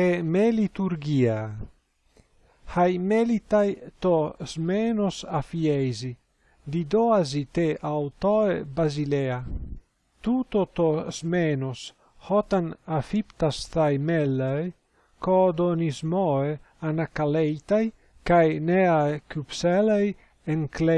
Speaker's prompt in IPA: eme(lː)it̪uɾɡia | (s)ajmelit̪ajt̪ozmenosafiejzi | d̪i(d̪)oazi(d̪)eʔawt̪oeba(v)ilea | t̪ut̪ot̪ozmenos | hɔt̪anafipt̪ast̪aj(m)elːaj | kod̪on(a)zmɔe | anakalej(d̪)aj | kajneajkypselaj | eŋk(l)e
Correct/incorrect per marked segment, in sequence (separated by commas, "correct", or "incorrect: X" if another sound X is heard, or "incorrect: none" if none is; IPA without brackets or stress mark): incorrect: l, incorrect: h, correct, incorrect: t̪, incorrect: z, correct, incorrect: i, incorrect: t̪, correct